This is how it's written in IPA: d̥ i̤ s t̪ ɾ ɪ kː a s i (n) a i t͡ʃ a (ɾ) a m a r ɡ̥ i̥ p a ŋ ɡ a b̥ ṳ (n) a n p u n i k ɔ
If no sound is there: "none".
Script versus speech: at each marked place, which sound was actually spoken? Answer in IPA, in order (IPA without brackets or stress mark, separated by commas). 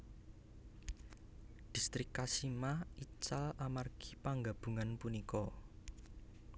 m, l, ŋ